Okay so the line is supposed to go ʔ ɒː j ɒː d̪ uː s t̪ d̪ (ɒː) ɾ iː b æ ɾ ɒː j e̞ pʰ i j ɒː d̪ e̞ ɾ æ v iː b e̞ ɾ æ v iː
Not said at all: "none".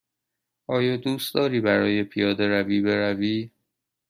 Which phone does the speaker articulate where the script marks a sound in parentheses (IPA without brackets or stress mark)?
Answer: ɒː